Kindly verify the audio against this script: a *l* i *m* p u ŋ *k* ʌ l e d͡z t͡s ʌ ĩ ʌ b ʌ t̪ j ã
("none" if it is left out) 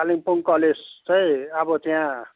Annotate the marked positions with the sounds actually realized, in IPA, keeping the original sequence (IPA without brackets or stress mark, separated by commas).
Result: l, ŋ, k